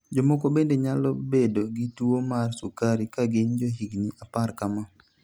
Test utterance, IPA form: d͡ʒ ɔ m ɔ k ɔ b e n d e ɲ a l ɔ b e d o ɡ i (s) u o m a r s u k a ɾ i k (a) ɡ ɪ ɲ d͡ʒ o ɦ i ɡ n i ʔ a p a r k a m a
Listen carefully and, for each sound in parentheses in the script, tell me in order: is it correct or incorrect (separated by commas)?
incorrect, correct